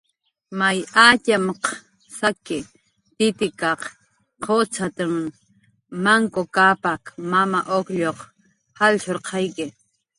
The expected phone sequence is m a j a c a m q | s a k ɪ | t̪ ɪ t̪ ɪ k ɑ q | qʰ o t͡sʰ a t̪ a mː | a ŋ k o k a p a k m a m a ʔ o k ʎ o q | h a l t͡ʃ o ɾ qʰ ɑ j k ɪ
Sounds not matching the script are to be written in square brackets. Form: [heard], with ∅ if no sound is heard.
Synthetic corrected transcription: m a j a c a m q | s a k ɪ | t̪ ɪ t̪ ɪ k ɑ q | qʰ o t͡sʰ a t̪ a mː | a ŋ k o k a p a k m a m a ʔ o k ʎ o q | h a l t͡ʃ o ɾ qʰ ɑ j k ɪ